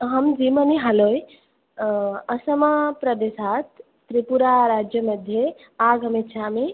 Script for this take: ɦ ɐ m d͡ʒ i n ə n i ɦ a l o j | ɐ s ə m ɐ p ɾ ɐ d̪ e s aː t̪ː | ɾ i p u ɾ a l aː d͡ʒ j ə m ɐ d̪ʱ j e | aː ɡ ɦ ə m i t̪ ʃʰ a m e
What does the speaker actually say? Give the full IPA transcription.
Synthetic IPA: ɦ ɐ m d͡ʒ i m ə n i ɦ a l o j | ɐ s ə m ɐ p ɾ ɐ d̪ e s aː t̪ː | ɾ i p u ɾ a ɾ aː d͡ʒ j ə m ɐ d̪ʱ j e | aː ɡ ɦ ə m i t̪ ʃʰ a m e